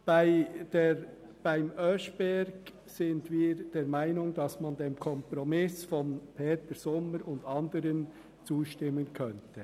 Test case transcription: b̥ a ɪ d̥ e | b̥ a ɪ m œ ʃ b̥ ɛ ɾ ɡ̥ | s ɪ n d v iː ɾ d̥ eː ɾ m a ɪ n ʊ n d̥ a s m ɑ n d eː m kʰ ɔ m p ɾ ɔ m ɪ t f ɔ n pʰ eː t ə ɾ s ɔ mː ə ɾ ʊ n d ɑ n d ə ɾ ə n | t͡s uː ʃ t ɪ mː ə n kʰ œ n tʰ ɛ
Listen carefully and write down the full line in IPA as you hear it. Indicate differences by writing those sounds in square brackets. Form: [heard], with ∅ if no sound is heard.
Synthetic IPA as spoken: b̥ a ɪ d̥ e | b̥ a ɪ m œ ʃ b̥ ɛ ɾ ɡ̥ | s ɪ n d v iː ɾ d̥ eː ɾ m a ɪ n ʊ [ŋ] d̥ [ɑ] s m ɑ n d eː m kʰ ɔ m p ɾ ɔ m ɪ [s] f ɔ n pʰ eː t ə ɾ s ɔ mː ə ɾ ʊ n d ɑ n d ə ɾ ə n | t͡s uː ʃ t ɪ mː ə n kʰ œ n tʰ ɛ